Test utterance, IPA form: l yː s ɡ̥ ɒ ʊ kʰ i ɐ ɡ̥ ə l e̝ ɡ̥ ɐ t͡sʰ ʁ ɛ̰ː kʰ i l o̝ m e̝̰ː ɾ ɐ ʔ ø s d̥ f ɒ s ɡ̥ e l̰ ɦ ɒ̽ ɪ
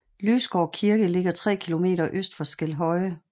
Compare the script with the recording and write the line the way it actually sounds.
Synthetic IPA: l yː s ɡ̥ ɒ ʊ kʰ i ɐ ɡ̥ ə l e̝ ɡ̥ ɐ t͡sʰ ʁ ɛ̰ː kʰ i l o̝ m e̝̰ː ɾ ɐ ʔ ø s d̥ f ɒ s ɡ̥ e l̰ ɦ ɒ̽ ɪ